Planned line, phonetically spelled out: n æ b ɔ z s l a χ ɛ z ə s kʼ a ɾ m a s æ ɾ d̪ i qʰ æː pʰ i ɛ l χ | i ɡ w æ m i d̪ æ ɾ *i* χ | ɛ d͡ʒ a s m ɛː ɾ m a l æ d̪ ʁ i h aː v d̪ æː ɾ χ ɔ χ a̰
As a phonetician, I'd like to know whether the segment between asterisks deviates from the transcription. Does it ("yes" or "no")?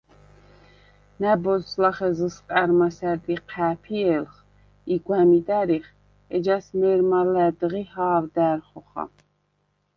no